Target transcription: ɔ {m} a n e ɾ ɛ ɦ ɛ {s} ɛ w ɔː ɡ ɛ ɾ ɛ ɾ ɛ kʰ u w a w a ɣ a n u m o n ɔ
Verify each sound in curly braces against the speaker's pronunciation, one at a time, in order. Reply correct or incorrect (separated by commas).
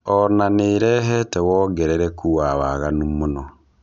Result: incorrect, incorrect